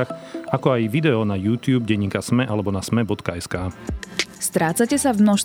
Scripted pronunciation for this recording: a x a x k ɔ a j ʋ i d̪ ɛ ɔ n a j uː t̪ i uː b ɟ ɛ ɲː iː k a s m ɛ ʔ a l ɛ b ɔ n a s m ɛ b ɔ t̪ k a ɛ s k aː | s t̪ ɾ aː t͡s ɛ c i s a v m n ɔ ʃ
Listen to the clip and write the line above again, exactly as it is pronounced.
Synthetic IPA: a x a k ɔ a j ʋ i d̪ ɛ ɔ n a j uː t̪ j uː b ɟ ɛ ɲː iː k a s m ɛ ʔ a l ɛ b ɔ n a s m ɛ b ɔ t̪ k a ɛ s k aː | s t̪ ɾ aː t͡s a c ɛ s a v m n ɔ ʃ